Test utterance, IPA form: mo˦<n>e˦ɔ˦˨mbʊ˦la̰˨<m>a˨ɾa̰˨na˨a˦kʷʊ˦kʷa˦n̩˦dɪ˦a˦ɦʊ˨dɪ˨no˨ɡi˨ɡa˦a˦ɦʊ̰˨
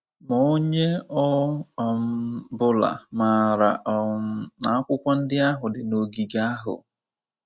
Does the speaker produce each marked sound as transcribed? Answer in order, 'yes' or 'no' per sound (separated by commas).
no, yes